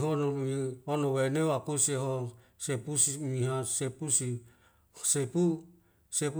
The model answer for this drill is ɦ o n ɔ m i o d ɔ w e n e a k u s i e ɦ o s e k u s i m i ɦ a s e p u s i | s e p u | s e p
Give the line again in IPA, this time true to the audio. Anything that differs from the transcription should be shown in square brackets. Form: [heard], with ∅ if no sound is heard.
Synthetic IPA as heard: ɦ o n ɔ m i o [n] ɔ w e n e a k u s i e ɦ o s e [p] u s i m i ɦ a s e p u s i | s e p u | s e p